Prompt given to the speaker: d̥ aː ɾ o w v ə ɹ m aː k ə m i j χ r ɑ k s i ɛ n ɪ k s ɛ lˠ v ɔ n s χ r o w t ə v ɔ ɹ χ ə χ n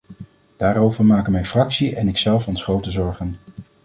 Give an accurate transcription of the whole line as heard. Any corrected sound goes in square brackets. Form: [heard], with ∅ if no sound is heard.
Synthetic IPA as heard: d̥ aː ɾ o w v ə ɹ m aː k ə m [ɛ] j [f] r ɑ k s i ɛ n ɪ k s ɛ lˠ [f] ɔ n s χ r o w t ə [z] ɔ ɹ χ ə [∅] n